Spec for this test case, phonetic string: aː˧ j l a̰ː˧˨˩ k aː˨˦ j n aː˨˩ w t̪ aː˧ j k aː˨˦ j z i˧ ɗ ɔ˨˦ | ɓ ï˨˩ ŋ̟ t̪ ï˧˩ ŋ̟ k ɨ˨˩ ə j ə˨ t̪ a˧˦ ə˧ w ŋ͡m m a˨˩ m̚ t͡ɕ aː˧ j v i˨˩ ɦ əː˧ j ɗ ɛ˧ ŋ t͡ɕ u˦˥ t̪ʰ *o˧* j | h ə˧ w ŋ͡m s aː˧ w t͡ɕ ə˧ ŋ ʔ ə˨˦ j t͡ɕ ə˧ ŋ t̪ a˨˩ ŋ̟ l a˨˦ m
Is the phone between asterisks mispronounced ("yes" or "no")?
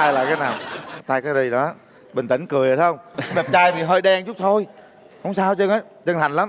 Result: no